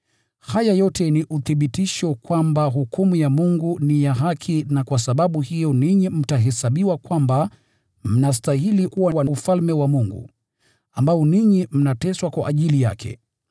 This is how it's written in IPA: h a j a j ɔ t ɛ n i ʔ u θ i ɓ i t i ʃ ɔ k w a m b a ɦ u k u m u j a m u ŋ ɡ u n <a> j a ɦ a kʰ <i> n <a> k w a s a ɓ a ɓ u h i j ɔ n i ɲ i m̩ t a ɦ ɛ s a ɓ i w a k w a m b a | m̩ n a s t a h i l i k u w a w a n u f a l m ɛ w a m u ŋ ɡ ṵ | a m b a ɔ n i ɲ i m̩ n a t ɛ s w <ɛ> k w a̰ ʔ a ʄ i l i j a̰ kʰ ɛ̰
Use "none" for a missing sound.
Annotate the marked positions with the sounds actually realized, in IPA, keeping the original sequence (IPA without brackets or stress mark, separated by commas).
i, i, a, a